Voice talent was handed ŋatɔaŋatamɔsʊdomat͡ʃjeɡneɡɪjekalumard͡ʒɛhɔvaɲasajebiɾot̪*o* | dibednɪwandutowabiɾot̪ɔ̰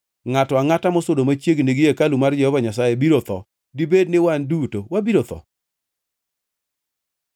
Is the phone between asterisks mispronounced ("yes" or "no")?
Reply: yes